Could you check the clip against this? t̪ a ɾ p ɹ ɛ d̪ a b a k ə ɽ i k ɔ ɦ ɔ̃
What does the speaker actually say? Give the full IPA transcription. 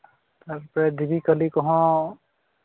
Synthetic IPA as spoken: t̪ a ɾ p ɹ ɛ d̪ i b i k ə l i k ɔ ɦ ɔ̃